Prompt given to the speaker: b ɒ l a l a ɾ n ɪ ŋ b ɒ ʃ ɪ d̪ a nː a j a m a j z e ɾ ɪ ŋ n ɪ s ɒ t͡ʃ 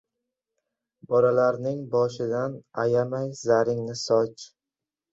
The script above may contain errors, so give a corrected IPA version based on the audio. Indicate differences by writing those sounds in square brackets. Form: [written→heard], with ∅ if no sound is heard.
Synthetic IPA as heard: b ɒ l a l a ɾ n ɪ ŋ b ɒ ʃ ɪ d̪ a [nː→n] a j a m a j z [e→a] ɾ ɪ ŋ n ɪ s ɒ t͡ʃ